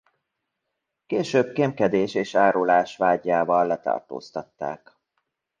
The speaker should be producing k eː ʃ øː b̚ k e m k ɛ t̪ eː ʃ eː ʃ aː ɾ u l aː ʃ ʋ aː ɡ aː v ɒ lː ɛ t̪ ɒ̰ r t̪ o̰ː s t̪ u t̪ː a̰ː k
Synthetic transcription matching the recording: k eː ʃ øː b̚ k e m k ɛ d̪ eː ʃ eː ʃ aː ɾ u l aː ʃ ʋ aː ɟ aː v ɒ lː ɛ t̪ ɒ̰ r t̪ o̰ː s t̪ ɒ t̪ː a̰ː k